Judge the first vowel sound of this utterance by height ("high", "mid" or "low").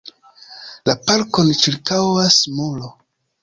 low